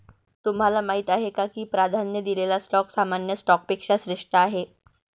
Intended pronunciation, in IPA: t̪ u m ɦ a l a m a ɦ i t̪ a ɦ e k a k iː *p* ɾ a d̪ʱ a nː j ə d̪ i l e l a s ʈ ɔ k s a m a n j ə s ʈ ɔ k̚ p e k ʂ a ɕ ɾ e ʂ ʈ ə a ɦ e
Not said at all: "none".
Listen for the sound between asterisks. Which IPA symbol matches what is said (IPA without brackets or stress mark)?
p